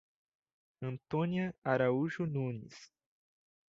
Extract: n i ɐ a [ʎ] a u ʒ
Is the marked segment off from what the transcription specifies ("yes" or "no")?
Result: yes